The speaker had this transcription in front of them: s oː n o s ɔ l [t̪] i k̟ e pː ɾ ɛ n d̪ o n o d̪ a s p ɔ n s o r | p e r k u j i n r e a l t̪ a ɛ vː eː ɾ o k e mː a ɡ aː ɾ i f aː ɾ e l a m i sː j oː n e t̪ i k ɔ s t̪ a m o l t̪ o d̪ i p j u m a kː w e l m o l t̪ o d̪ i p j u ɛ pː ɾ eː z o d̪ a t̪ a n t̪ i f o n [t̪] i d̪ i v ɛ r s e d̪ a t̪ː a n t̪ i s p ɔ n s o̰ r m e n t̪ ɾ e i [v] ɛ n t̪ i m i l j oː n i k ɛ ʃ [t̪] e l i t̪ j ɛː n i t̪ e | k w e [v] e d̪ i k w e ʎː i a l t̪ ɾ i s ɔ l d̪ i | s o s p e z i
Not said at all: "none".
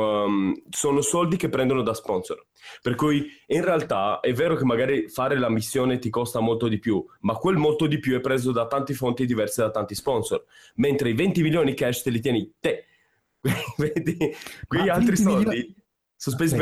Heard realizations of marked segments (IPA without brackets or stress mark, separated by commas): d̪, t̪, v, t̪, v